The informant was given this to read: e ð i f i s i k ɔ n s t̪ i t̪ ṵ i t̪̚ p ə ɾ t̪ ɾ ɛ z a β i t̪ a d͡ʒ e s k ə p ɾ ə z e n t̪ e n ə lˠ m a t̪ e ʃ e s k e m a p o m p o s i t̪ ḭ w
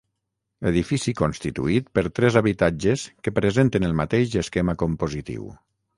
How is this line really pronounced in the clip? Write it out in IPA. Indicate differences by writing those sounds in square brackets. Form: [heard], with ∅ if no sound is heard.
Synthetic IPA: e ð i f i s i k [o] n s t̪ i t̪ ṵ i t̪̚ p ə ɾ t̪ ɾ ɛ z a β i t̪ a d͡ʒ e s k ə p ɾ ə z e n t̪ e n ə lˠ m a t̪ e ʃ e s k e m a [k] o m p o [z] i t̪ ḭ w